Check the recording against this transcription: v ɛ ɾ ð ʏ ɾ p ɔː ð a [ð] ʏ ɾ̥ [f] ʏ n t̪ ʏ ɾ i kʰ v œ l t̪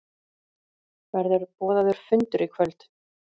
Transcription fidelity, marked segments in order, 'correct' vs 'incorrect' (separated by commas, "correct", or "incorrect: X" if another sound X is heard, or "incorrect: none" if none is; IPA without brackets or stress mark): correct, correct